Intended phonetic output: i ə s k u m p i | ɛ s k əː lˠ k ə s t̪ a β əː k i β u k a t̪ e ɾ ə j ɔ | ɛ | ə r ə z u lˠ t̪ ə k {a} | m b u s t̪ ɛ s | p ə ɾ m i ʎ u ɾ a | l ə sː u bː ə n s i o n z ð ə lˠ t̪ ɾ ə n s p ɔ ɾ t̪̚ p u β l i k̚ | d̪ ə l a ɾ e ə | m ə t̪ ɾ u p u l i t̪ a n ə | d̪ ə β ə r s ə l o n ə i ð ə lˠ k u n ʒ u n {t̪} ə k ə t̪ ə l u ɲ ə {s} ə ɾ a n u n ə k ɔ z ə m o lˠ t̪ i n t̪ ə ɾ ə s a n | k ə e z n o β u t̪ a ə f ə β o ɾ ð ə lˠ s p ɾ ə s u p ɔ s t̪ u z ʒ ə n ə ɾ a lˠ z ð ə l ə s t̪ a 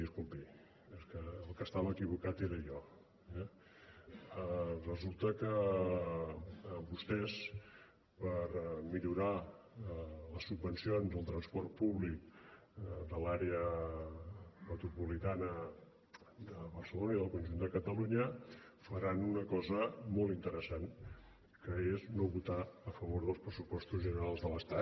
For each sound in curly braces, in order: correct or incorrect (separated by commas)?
incorrect, incorrect, incorrect